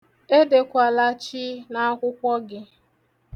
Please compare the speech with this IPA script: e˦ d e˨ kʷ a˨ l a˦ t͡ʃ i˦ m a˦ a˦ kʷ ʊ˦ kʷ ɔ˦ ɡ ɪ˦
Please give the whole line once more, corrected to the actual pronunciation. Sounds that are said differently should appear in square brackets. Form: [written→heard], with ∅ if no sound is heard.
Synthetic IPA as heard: e˦ d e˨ kʷ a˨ l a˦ t͡ʃ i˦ [m→n] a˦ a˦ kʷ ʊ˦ kʷ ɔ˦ ɡ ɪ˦